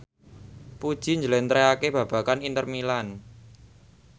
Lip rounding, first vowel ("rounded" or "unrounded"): rounded